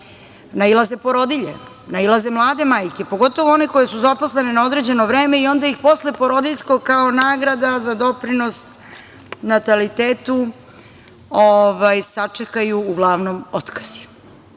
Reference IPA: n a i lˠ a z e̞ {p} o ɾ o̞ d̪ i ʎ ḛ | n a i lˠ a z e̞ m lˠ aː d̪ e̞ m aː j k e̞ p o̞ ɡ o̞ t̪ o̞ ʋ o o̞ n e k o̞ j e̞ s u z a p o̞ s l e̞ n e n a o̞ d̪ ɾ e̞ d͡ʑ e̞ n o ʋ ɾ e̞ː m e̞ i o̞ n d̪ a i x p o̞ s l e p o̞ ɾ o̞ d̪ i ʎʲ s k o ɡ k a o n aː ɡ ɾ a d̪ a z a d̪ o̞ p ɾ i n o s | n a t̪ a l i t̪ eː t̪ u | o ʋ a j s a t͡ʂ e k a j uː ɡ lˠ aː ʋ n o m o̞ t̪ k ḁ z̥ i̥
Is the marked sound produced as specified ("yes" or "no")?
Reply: yes